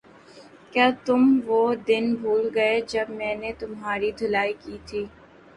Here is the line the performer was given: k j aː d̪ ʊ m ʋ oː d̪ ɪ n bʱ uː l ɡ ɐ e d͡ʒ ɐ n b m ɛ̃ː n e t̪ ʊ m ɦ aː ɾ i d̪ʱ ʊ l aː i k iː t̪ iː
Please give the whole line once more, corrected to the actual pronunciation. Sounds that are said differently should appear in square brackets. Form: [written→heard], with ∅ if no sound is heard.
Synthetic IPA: k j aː [d̪→t̪] ʊ m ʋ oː d̪ ɪ n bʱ uː l ɡ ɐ e d͡ʒ ɐ [n→∅] b m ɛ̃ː n e t̪ ʊ m ɦ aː ɾ i d̪ʱ ʊ l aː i k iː [t̪→t̪ʰ] iː